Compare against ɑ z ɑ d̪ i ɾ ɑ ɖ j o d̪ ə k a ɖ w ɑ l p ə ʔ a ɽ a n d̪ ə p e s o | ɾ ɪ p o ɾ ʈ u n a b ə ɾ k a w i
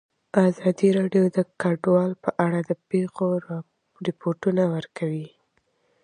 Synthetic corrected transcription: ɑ z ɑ d̪ i ɾ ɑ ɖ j o d̪ ə k a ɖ w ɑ l p ə ʔ a ɽ a d̪ ə p e x o | ɾ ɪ p o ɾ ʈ u n a w ə ɾ k a w i